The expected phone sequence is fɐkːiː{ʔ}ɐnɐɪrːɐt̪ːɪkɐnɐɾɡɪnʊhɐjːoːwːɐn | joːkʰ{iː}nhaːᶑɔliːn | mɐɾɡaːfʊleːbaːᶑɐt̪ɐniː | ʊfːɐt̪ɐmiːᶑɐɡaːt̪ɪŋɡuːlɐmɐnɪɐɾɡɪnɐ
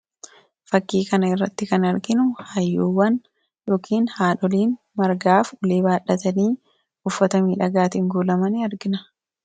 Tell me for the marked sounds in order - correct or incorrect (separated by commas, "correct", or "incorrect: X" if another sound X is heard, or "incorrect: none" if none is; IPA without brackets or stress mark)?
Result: incorrect: k, correct